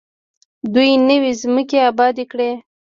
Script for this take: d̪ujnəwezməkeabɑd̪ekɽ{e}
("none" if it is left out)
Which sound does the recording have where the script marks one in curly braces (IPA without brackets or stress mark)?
e